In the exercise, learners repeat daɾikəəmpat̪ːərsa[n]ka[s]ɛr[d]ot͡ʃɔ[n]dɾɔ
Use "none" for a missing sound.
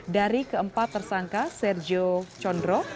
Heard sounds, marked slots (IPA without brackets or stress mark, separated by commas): ŋ, s, d͡ʒ, n